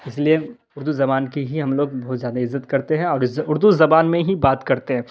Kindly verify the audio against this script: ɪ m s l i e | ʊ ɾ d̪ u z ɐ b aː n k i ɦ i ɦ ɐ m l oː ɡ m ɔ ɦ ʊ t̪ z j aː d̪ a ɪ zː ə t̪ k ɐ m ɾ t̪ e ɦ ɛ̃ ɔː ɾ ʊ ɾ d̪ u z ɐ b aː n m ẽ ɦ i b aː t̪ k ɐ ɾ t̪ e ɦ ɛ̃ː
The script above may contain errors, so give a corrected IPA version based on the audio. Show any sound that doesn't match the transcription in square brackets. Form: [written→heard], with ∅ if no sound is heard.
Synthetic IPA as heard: ɪ [m→∅] s l i e | ʊ ɾ d̪ u z ɐ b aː n k i ɦ i ɦ ɐ m l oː ɡ [m→b] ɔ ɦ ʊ t̪ z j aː d̪ a ɪ zː ə t̪ k ɐ [m→∅] ɾ t̪ e ɦ ɛ̃ ɔː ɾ ʊ ɾ d̪ u z ɐ b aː n m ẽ ɦ i b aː t̪ k ɐ ɾ t̪ e ɦ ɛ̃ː